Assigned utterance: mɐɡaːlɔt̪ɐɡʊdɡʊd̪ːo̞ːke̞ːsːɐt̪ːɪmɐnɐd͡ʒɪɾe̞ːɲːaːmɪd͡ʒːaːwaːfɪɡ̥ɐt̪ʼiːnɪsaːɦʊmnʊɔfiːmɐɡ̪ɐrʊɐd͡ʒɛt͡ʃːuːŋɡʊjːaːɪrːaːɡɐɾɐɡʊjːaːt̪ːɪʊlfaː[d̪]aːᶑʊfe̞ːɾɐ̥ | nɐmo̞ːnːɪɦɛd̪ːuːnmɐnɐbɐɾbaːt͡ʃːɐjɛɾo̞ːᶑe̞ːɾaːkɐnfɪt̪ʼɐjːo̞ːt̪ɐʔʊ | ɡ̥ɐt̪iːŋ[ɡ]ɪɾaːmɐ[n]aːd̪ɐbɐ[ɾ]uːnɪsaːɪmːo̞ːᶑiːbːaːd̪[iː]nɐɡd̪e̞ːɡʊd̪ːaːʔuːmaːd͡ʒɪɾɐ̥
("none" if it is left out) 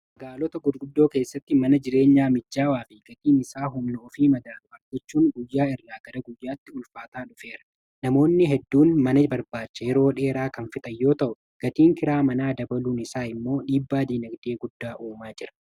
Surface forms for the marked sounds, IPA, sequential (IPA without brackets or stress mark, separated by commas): t̪, k, n, l, iː